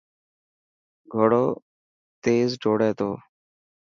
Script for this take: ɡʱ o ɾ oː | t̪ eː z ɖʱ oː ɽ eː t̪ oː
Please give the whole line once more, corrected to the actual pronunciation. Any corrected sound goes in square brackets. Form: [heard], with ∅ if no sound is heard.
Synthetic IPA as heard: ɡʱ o [ɽ] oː | t̪ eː z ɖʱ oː ɽ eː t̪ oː